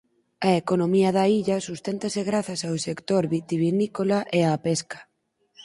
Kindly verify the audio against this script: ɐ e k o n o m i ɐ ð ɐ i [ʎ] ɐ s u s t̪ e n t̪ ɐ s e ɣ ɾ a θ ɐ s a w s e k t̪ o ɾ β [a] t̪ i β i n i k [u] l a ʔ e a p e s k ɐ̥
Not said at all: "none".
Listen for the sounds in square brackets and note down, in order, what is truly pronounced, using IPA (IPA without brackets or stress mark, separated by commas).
ʎ, i, o